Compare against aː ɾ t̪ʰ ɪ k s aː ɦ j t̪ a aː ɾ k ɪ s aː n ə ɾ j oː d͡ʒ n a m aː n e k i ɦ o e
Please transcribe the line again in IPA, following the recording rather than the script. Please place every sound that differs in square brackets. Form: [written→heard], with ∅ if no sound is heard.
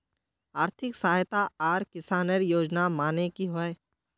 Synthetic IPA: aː ɾ t̪ʰ ɪ k s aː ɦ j t̪ a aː ɾ k ɪ s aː n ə ɾ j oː d͡ʒ n a m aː n e k i ɦ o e